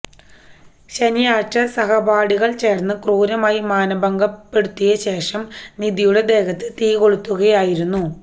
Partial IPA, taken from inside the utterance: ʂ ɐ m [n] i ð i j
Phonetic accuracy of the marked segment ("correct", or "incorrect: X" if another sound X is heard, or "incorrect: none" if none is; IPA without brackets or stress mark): correct